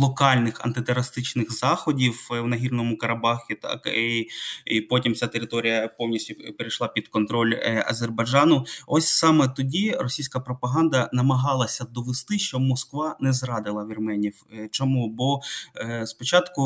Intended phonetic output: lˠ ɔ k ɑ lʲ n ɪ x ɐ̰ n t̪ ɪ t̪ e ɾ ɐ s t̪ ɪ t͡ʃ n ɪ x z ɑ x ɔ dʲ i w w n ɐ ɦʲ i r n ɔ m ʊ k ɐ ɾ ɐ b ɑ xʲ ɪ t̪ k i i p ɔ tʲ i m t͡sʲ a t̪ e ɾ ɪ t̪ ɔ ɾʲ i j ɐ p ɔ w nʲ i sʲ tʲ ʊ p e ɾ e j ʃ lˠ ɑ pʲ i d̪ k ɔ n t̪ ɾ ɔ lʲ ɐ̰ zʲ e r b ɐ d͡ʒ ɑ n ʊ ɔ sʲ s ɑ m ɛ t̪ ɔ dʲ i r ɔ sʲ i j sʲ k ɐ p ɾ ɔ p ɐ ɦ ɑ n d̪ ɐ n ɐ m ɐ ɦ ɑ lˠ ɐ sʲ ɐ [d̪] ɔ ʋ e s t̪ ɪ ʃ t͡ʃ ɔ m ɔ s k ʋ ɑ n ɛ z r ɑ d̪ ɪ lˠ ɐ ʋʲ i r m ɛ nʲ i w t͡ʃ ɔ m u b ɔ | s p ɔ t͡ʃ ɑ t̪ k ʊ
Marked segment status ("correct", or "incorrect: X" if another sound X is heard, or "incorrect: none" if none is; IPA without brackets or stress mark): correct